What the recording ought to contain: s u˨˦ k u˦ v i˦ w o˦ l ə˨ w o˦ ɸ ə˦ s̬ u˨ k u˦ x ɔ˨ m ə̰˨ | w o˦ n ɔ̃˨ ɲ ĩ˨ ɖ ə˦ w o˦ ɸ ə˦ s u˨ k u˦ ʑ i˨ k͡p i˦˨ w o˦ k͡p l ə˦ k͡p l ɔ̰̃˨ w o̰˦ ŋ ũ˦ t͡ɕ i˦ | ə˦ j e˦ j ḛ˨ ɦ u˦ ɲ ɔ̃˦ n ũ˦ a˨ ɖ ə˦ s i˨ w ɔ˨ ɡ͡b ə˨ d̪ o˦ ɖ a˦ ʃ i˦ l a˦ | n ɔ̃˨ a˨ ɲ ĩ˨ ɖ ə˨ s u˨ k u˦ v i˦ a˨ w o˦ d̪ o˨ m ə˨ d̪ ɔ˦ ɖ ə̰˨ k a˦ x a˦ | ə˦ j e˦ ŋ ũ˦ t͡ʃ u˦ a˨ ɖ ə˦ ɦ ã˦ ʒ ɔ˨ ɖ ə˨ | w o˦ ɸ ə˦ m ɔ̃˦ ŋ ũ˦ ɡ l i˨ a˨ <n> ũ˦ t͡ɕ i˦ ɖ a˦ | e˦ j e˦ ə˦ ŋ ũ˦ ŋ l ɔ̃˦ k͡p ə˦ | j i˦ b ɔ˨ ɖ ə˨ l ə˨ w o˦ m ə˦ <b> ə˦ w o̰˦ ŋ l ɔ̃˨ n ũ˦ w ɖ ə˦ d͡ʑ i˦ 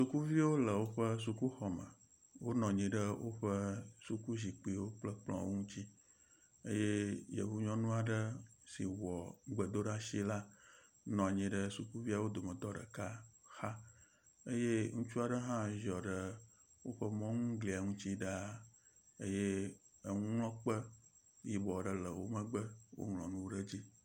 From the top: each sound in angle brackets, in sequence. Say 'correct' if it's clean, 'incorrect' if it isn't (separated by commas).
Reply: incorrect, incorrect